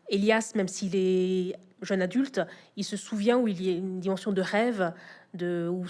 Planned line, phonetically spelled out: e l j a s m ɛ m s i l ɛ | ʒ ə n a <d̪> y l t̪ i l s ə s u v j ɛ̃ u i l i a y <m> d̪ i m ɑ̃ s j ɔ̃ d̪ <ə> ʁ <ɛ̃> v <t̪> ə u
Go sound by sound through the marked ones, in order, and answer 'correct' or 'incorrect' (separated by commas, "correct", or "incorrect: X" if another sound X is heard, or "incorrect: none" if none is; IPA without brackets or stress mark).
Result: correct, incorrect: n, correct, incorrect: ɛ, incorrect: d̪